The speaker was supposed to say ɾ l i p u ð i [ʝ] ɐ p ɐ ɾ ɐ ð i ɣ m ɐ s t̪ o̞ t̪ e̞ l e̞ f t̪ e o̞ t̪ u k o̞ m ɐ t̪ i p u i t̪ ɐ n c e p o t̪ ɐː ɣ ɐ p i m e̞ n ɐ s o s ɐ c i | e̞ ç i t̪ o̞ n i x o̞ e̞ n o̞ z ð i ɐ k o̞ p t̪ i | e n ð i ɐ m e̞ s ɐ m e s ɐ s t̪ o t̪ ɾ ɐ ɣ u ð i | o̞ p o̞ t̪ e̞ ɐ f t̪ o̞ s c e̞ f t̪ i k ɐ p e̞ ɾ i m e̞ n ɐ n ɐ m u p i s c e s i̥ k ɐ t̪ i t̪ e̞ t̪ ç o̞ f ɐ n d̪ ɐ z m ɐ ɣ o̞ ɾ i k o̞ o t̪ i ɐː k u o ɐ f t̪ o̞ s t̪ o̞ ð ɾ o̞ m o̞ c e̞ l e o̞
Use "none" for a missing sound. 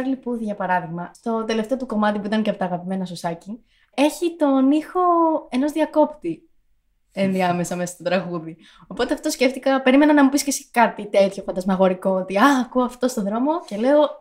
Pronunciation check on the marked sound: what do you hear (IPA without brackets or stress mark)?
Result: ʝ